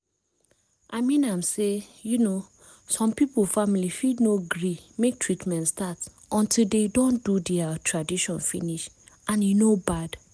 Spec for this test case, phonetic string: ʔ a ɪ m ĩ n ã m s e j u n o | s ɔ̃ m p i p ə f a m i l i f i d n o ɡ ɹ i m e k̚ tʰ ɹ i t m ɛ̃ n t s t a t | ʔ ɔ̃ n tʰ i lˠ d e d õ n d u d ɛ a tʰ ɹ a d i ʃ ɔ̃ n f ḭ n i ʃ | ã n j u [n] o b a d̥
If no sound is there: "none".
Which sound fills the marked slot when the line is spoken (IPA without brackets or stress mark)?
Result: n